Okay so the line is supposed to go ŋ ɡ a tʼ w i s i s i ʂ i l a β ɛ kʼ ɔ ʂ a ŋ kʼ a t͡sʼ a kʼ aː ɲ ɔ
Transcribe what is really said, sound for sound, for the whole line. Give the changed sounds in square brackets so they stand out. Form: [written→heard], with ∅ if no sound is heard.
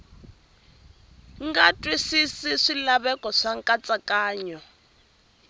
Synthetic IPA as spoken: ŋ ɡ a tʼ w i s i s i ʂ i l a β ɛ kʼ ɔ ʂ a ŋ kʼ a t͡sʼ a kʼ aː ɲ ɔ